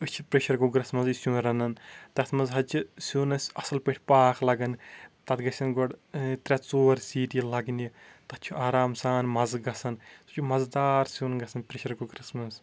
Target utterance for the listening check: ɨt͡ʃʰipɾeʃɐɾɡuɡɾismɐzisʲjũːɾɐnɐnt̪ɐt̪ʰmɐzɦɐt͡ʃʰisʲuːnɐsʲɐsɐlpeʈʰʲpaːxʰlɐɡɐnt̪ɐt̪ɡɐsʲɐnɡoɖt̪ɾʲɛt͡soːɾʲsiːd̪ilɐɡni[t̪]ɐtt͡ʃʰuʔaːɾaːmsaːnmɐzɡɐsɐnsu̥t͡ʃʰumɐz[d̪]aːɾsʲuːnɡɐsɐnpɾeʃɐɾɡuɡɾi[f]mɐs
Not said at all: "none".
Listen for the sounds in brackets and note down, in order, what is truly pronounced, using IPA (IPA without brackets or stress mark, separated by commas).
t̪, d̪, s